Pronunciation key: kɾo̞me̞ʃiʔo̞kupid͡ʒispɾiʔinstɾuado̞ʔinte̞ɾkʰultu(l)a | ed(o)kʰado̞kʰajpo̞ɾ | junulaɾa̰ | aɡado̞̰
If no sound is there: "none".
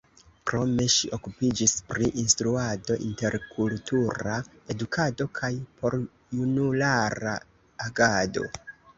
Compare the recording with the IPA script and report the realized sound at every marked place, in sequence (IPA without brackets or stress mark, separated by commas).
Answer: ɾ, u